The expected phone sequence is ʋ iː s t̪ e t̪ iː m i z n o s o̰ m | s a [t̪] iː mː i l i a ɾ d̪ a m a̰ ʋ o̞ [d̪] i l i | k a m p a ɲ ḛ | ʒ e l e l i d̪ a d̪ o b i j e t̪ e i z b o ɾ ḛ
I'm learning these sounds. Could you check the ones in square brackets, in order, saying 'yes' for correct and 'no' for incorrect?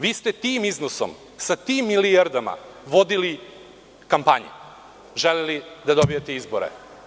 yes, yes

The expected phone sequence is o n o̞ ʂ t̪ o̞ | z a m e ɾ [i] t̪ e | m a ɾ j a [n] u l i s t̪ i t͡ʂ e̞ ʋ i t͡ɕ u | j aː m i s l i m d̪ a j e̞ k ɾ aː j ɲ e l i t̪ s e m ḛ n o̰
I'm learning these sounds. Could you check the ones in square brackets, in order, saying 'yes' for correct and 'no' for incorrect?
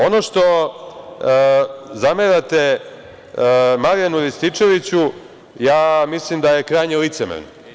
no, yes

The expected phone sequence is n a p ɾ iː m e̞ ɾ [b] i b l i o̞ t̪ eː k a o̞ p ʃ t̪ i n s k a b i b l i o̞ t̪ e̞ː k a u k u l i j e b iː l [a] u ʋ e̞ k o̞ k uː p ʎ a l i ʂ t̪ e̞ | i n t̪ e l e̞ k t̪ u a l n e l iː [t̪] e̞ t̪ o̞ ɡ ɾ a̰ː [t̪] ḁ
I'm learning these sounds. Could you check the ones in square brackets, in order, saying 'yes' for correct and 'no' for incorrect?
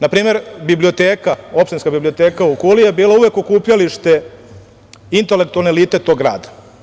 yes, yes, yes, no

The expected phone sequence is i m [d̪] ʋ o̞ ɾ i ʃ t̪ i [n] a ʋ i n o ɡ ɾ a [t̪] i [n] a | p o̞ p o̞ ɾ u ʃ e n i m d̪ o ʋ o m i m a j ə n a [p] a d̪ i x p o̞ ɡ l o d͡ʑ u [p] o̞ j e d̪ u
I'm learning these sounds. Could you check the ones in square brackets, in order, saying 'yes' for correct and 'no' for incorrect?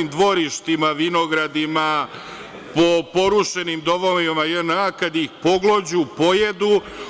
yes, no, no, no, no, yes

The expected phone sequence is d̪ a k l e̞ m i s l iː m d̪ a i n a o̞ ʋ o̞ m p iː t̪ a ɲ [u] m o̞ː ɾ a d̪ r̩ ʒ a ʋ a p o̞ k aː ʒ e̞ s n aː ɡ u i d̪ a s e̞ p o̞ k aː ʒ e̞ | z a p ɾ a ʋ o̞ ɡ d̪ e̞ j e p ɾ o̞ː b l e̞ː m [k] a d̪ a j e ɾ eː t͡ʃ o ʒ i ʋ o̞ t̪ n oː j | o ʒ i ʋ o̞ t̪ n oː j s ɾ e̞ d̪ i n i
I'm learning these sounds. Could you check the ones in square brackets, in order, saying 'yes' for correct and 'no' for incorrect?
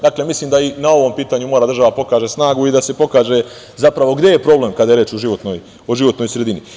yes, yes

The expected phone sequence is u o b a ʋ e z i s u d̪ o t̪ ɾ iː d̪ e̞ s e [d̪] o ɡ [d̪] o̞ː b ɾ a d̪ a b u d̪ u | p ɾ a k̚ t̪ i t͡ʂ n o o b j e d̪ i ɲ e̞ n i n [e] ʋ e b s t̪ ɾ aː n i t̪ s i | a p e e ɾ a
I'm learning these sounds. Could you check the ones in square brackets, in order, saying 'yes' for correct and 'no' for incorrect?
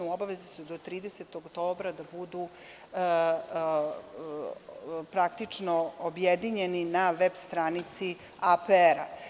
no, no, no

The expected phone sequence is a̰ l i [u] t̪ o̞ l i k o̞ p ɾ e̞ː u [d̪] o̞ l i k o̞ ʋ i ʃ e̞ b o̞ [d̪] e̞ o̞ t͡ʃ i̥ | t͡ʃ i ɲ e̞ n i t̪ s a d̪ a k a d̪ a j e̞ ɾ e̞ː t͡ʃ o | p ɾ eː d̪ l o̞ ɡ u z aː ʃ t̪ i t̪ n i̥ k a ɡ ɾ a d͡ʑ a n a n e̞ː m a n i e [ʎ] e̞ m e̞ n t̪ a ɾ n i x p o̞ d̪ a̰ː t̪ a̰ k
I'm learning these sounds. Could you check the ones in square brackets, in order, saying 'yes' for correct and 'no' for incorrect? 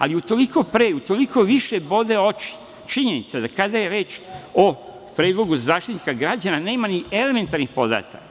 yes, no, yes, no

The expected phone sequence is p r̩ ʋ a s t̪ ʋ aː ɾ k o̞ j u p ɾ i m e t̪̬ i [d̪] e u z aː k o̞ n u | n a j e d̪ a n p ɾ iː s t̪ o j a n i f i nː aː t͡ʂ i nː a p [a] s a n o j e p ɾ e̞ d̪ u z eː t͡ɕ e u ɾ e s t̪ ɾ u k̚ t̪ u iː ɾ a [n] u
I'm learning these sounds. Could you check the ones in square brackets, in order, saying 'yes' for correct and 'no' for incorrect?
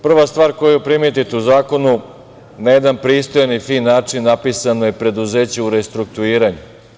no, no, no

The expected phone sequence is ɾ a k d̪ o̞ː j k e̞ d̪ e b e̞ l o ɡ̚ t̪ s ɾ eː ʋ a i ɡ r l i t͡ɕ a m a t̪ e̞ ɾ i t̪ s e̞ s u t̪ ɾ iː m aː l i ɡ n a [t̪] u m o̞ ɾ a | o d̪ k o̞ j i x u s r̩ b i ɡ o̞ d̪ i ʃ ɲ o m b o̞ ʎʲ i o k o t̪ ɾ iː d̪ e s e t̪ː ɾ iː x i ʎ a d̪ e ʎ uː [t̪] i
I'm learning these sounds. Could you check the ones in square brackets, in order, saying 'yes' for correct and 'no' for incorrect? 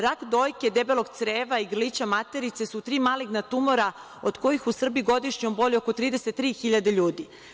yes, no

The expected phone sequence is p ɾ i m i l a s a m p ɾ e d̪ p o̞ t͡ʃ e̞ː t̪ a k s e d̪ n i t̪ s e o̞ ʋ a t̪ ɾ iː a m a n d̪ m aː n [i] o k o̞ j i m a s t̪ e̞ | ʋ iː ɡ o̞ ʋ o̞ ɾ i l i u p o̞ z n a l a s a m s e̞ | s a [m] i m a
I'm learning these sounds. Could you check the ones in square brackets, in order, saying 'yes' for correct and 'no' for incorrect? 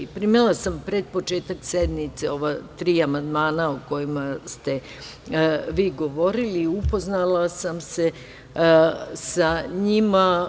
no, no

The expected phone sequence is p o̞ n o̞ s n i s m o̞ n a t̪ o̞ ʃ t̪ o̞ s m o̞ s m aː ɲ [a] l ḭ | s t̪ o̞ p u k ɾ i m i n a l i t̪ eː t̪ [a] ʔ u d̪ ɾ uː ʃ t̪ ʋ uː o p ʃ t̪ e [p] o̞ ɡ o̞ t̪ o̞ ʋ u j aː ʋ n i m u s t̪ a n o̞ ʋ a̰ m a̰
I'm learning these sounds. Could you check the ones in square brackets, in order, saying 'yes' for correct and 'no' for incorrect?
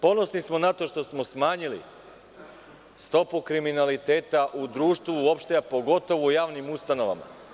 no, yes, yes

